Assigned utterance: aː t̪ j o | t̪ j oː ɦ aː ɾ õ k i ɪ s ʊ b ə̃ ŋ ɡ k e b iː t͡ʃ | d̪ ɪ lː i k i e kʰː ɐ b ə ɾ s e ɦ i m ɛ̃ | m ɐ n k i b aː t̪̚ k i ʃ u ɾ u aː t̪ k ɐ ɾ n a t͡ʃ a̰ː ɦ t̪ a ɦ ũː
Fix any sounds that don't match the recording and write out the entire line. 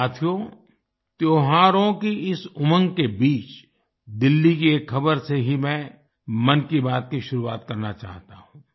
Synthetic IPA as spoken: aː t̪ʰ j o | t̪ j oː ɦ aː ɾ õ k i ɪ s ʊ m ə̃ ŋ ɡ k e b iː t͡ʃ | d̪ ɪ lː i k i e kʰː ɐ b ə ɾ s e ɦ i m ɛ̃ | m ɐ n k i b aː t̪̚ k i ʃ ʊ ɾ u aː t̪ k ɐ ɾ n a t͡ʃ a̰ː ɦ t̪ a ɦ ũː